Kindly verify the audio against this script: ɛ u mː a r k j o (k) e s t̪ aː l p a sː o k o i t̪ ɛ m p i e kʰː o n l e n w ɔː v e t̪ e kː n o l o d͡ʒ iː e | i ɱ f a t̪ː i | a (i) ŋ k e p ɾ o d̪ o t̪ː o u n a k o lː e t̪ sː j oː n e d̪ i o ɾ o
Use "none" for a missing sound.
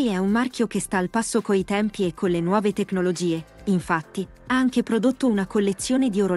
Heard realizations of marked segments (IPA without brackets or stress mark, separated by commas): k, a